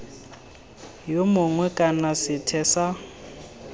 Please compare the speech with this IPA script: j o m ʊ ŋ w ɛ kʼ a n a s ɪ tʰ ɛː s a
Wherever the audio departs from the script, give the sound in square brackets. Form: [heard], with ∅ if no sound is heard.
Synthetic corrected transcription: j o m ʊ ŋ w ɛ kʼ a n a s ɪ tʰ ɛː s a